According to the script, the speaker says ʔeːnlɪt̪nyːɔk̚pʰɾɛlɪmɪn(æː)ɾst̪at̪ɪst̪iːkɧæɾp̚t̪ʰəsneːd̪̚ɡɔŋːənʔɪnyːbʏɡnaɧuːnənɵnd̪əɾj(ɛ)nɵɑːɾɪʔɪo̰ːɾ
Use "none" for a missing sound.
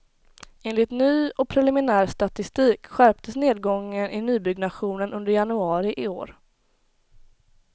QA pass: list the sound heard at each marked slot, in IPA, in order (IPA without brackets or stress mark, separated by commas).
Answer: æː, a